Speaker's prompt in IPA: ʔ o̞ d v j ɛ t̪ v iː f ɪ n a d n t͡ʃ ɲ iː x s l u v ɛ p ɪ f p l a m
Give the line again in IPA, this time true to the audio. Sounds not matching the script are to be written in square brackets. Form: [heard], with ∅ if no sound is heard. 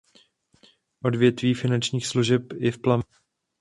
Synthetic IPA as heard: ʔ o̞ d v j ɛ t̪ v iː f ɪ n a [∅] n t͡ʃ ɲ iː x s l u [ʒ] ɛ p ɪ f p l a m